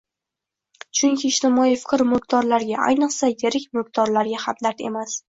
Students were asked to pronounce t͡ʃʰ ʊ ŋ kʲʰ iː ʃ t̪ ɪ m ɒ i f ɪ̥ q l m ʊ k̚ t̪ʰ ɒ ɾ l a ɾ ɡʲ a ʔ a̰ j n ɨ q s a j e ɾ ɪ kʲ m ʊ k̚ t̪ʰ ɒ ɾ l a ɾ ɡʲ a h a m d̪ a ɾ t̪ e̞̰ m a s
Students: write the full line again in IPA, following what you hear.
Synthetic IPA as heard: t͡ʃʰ ʊ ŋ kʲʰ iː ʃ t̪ ɪ m ɒ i f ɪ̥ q ɾ m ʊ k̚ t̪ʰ ɒ ɾ l a ɾ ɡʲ a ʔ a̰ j n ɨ q s a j e ɾ ɪ kʲ m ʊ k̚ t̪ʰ ɒ ɾ l a ɾ ɡʲ a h a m d̪ a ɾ t̪ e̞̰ m a s